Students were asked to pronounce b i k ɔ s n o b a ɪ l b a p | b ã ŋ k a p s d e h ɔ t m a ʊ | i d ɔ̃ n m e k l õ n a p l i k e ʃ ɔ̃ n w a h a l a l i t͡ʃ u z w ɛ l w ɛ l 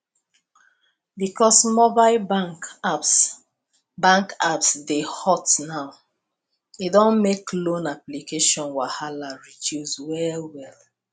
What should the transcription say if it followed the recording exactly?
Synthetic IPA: b i k ɔ s m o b a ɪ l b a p | b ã ŋ k a p s d e h ɔ t n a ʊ | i d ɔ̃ n m e k l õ n a p l i k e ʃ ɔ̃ n w a h a l a ɹ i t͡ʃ u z w ɛ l w ɛ l